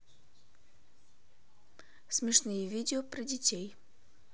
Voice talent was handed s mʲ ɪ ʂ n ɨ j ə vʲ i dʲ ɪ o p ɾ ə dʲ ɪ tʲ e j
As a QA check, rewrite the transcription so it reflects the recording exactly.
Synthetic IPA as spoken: s mʲ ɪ ʂ n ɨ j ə vʲ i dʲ ɪ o p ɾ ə dʲ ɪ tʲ e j